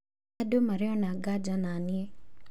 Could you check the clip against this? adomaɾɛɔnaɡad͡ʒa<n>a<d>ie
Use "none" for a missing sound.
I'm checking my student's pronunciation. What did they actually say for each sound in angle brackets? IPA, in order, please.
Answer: n, n

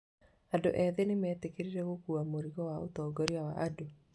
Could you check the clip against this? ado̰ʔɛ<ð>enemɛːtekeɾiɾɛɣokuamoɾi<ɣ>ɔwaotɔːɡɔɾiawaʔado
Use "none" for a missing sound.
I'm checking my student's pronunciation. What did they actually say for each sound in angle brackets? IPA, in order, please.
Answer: ð, ɣ

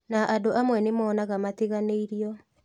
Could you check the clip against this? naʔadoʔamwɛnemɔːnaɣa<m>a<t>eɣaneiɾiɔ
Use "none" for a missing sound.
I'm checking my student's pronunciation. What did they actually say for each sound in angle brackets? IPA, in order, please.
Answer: m, t

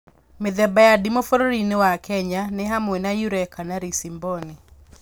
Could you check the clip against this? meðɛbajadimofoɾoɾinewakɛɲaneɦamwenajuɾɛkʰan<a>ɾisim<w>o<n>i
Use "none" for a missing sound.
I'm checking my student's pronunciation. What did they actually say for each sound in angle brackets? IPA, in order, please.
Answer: a, b, n

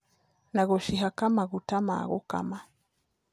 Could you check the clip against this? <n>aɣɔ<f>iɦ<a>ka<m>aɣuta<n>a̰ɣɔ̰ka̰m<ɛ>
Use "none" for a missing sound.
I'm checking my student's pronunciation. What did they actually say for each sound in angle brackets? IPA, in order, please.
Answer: n, ʃ, a, m, m, a

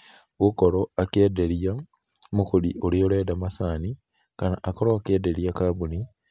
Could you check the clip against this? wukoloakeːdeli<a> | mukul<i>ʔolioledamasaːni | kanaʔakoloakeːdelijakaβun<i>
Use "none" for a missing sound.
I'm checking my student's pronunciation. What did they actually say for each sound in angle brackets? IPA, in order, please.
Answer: a, i, i

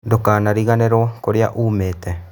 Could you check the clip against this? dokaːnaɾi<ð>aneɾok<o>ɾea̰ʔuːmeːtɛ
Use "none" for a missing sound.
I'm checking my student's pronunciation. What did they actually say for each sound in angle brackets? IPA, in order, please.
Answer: ɣ, o

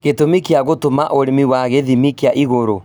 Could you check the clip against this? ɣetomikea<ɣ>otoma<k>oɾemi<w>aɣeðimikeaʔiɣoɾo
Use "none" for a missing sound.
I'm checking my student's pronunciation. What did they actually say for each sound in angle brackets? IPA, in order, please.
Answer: ɣ, ʔ, w

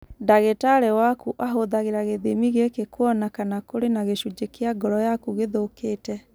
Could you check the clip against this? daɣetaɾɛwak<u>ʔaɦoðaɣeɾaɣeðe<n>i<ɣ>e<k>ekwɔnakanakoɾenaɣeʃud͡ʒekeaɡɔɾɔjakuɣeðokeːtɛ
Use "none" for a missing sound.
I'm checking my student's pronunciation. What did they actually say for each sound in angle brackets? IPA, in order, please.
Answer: u, m, ɣ, k

